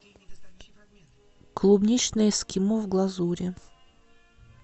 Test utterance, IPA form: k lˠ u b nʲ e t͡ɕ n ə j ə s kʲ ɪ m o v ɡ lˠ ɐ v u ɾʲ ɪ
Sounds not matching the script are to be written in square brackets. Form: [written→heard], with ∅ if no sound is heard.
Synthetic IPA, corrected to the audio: k lˠ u b nʲ [e→i] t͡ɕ n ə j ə s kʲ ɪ m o v ɡ lˠ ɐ [v→z] u ɾʲ ɪ